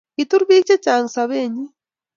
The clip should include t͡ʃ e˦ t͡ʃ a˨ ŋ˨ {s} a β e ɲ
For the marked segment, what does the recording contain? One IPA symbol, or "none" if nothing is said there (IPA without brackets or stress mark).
s